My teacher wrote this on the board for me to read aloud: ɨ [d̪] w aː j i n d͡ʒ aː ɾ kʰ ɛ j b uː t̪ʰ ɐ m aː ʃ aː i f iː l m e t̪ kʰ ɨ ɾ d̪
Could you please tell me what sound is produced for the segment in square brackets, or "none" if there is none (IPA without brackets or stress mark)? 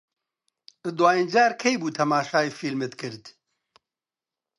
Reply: d̪